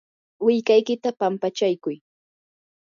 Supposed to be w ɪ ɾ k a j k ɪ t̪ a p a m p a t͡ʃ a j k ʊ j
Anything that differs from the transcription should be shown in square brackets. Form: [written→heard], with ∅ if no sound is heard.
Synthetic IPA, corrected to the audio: w ɪ [ɾ→ʎ] k a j k ɪ t̪ a p a m p a t͡ʃ a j k ʊ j